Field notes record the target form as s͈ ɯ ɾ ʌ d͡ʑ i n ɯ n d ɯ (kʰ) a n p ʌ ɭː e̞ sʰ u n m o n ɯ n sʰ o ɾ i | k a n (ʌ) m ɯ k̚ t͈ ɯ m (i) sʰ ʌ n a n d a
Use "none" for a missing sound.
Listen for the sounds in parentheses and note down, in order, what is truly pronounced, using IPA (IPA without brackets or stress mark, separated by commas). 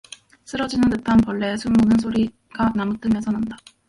tʰ, a, e